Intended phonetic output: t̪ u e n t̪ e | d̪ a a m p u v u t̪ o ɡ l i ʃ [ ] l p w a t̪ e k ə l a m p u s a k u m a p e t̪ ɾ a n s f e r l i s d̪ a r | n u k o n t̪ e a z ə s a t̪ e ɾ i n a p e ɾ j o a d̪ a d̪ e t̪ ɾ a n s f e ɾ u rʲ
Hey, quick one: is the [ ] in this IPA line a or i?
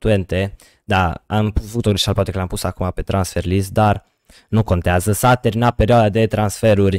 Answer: a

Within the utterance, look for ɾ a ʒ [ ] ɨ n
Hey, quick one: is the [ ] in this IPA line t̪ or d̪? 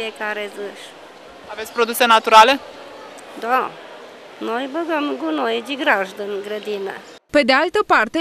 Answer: d̪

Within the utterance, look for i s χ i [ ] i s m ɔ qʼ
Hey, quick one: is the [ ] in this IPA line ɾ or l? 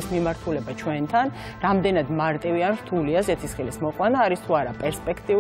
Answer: l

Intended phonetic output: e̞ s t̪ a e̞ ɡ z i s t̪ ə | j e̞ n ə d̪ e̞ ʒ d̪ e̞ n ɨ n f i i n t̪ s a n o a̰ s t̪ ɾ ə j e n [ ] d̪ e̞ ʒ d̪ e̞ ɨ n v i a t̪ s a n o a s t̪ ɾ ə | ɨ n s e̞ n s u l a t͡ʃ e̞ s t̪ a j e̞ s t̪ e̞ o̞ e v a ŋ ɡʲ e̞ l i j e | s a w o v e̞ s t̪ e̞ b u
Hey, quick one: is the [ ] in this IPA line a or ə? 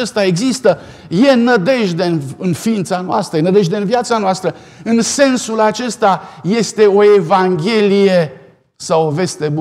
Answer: ə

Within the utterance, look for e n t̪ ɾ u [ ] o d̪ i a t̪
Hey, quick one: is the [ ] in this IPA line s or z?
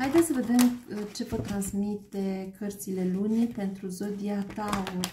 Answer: z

